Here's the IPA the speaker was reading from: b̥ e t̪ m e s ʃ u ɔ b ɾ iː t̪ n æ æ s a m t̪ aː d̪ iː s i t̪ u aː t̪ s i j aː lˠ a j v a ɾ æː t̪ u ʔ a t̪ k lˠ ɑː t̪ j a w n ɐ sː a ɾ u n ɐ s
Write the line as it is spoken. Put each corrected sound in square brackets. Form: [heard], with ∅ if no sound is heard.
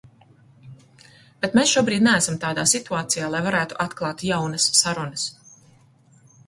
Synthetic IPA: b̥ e t̪ m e s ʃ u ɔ b ɾ iː [d̪] n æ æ s a m t̪ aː d̪ [aː] s i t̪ u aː t̪ s i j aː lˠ a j v a ɾ æː t̪ u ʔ a t̪ k lˠ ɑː t̪ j a w n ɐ sː a ɾ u n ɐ s